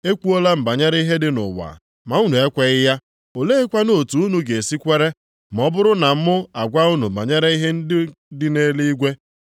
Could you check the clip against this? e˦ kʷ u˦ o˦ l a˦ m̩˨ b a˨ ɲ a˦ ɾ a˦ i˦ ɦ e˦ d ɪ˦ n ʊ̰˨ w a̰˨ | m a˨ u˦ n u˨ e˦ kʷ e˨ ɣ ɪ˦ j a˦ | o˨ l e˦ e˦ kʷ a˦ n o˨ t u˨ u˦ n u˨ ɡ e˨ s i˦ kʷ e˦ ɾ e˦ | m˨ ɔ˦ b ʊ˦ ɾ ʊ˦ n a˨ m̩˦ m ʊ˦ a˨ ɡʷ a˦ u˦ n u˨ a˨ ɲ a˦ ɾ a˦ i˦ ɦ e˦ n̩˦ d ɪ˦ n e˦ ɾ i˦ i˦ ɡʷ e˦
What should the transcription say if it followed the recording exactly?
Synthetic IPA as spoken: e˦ kʷ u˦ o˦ l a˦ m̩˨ b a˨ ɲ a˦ ɾ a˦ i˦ ɦ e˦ d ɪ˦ n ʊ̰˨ w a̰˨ | m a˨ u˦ n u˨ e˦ kʷ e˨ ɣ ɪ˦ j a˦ | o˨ l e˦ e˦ kʷ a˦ n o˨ t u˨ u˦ n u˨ ɡ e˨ s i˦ kʷ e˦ ɾ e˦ | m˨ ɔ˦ b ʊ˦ ɾ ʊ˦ n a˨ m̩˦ m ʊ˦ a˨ ɡʷ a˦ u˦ n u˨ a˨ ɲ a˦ ɾ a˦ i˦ ɦ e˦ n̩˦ d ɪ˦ n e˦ l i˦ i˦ ɡʷ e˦